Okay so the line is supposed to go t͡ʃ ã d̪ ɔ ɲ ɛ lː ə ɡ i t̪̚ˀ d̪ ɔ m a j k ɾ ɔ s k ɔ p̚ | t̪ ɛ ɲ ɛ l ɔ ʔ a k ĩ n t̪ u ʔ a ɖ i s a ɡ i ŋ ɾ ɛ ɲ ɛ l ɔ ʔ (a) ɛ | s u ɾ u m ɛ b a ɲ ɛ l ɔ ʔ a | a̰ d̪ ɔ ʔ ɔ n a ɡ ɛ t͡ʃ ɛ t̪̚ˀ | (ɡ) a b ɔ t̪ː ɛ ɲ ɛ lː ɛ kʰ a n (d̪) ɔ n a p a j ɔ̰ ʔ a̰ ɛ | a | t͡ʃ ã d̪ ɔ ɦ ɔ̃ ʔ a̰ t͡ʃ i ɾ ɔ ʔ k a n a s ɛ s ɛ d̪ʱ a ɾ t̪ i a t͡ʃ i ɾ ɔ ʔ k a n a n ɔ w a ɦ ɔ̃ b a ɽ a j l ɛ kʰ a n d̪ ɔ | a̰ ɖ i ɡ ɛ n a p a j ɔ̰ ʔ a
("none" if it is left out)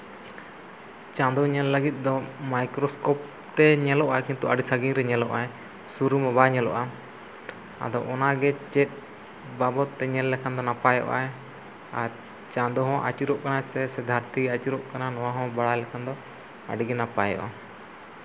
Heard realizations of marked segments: a, b, d̪

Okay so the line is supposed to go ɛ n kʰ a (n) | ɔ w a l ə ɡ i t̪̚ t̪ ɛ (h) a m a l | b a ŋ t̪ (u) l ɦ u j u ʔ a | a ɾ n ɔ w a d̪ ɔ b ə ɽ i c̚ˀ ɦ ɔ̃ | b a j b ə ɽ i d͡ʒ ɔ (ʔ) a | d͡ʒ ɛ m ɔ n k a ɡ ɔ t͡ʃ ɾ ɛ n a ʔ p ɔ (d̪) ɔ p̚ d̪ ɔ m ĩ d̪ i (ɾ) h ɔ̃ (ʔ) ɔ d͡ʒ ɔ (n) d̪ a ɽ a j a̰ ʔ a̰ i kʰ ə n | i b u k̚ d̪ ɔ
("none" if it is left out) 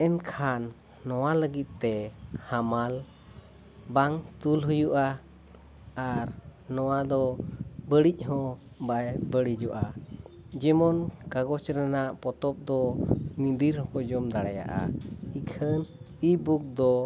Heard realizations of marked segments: nː, h, u, ʔ, t̪, ɾ, k, m

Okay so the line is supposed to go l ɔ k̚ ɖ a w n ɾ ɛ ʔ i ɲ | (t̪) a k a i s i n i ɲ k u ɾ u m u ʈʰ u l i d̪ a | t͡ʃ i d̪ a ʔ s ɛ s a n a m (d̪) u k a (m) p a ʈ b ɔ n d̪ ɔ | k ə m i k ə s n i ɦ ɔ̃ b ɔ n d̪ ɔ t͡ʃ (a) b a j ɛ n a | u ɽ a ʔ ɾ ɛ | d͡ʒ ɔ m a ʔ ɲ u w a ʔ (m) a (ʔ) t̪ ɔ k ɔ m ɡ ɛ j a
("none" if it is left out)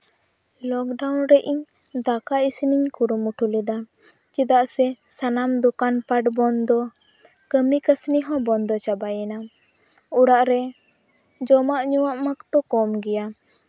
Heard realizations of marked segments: d̪, d̪, n, a, m, k

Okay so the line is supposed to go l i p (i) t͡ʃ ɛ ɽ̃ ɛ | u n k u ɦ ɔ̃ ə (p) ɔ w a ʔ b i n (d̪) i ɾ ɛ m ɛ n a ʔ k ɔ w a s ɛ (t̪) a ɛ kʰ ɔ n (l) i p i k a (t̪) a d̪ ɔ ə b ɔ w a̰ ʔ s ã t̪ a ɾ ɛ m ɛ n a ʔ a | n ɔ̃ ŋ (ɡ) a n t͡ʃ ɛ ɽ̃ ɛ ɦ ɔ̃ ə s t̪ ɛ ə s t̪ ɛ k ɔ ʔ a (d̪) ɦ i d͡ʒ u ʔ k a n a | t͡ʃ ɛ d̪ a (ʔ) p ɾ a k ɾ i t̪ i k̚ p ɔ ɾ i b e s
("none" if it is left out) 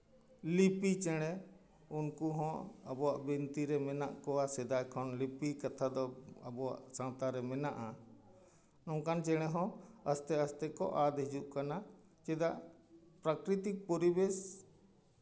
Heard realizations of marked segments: i, b, t̪, d̪, l, t̪ʰ, k, d̪, ʔ

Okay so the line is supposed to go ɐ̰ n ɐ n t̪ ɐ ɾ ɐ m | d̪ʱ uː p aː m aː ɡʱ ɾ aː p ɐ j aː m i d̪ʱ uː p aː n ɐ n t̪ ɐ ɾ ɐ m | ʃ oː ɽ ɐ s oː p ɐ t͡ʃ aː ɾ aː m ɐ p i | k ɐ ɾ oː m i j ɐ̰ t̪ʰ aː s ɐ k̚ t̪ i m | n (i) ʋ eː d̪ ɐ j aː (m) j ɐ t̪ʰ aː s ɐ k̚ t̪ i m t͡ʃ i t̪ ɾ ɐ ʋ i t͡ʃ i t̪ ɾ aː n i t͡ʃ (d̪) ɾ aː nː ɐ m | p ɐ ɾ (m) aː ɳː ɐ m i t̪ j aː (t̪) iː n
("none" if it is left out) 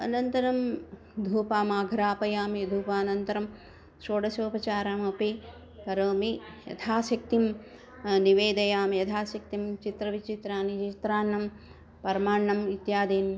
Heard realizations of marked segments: i, m, t̪, m, d̪

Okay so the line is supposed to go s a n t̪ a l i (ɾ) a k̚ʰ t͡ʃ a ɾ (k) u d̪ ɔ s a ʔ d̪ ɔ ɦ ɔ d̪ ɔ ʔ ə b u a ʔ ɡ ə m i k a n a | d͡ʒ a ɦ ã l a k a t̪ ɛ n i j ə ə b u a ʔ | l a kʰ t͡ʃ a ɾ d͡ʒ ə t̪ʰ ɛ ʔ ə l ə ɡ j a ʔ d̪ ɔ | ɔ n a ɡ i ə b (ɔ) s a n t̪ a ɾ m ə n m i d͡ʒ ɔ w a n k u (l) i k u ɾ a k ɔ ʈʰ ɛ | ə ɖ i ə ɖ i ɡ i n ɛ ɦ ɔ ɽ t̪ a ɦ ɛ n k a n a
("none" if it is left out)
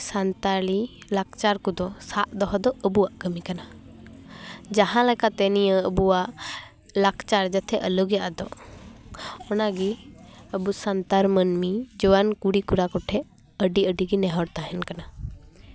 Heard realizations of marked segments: l, k, u, ɽ

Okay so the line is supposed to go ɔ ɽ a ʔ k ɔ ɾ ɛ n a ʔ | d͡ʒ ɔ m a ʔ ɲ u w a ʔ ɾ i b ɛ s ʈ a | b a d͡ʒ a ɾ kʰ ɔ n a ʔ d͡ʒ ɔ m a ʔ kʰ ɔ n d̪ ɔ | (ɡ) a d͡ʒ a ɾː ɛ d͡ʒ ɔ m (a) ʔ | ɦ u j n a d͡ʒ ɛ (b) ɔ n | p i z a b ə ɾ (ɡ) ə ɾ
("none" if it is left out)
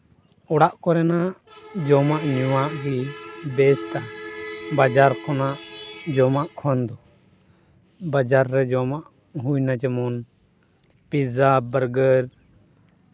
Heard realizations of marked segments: b, a, m, ɡ

